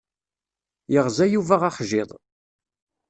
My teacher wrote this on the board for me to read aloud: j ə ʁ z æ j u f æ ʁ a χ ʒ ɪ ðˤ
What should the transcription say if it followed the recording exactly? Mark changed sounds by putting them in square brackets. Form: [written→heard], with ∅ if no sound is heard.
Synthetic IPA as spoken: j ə ʁ z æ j u [f→v] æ ʁ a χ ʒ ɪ ðˤ

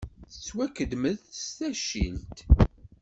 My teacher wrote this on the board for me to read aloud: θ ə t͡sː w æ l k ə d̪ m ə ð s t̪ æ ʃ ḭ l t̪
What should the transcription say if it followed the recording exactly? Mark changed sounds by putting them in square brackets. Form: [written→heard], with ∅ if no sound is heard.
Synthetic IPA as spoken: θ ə t͡sː w æ [l→∅] k ə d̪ m ə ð s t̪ æ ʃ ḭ l t̪

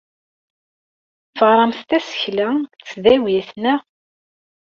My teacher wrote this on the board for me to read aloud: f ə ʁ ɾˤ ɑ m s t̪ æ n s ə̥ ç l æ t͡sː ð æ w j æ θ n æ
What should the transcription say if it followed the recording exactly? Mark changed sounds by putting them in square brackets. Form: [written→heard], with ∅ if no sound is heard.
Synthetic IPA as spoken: f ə ʁ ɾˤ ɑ m [s→θ] t̪ æ [n→∅] s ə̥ ç l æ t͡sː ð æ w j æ θ n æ

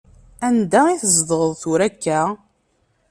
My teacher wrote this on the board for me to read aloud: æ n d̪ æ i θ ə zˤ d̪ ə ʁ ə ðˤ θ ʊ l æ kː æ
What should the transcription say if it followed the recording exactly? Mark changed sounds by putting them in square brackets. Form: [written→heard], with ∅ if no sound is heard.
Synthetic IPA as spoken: æ n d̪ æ i θ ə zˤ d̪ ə ʁ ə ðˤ θ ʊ [l→ɾ] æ kː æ

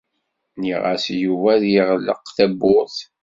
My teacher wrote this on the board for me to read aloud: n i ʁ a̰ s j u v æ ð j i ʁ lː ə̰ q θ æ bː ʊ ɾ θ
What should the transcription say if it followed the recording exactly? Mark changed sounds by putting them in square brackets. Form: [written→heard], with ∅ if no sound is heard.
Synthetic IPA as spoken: n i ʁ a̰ s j u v æ ð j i ʁ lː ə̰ q θ æ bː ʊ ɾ θ

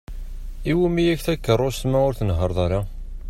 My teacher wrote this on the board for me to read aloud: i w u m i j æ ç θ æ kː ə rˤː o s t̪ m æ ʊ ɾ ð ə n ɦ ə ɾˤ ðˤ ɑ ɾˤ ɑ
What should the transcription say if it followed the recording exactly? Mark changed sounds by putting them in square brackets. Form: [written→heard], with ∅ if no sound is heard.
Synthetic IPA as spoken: i w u m i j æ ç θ æ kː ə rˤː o s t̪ m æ ʊ ɾ [ð→θ] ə n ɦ ə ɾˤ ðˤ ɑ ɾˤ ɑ

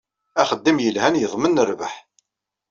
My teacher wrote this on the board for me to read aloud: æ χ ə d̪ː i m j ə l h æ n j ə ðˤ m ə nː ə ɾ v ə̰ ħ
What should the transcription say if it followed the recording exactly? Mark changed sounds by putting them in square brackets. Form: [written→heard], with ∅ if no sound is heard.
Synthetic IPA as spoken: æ χ ə d̪ː i m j ə l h æ n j ə ðˤ m ə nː ə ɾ v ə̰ ħ

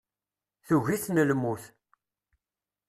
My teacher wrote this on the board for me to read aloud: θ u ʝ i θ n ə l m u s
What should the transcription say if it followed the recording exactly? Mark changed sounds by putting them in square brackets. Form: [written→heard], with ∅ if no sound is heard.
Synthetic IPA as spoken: θ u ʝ i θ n ə l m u [s→θ]

